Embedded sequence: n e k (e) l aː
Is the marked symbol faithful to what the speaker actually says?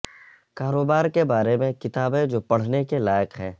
yes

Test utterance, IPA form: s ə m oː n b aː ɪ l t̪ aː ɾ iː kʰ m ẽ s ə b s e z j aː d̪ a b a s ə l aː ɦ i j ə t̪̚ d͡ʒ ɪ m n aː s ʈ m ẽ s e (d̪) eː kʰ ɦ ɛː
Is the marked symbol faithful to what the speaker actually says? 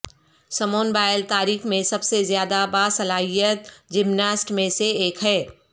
no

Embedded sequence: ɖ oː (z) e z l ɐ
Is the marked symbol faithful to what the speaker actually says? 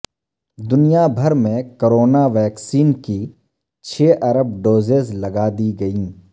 yes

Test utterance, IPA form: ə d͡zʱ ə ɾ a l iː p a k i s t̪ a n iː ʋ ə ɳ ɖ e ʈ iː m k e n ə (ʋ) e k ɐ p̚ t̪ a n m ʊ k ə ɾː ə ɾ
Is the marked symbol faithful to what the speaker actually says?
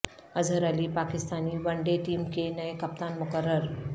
no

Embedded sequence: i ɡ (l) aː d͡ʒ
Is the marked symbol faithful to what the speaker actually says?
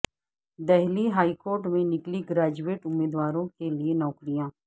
no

